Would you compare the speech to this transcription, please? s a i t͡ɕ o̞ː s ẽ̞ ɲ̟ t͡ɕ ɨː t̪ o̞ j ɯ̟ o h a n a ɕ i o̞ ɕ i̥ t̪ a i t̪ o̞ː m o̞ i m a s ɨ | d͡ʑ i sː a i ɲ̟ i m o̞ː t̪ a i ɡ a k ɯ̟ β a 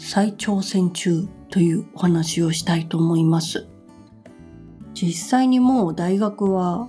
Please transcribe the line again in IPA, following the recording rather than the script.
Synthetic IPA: s a i t͡ɕ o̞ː s ẽ̞ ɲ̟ t͡ɕ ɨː t̪ o̞ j ɯ̟ː o h a n a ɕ i o̞ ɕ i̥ t̪ a i t̪ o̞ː m o̞ i m a s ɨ | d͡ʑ i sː a i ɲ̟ i m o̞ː d̪ a i ɡ a k ɯ̟ β a